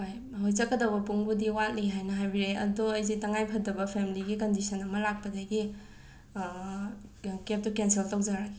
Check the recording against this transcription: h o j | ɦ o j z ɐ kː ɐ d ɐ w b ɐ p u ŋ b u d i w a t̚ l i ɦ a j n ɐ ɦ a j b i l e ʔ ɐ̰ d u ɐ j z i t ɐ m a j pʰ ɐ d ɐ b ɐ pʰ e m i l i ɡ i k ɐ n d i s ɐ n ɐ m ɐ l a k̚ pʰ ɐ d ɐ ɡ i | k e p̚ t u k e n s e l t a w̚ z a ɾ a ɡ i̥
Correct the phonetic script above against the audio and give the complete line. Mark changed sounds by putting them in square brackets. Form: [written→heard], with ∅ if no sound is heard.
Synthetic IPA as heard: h o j | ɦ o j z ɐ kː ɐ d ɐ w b ɐ p u ŋ b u d i w a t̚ l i ɦ a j n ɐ ɦ a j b i [l→ɾ] e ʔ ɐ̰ d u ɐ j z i t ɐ [m→ŋ] a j pʰ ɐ d ɐ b ɐ pʰ e m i l i ɡ i k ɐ n d i s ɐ n ɐ m ɐ l a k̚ [pʰ→p] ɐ d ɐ ɡ i | k e p̚ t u k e n s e l t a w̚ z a ɾ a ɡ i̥